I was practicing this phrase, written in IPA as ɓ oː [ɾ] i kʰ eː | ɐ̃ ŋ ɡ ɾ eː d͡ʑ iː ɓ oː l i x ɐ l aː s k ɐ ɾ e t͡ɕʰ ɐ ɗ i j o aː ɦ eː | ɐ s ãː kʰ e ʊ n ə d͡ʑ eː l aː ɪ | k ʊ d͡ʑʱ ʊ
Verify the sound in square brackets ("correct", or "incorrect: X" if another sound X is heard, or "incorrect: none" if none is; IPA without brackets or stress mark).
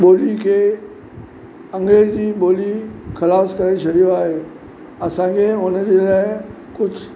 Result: incorrect: l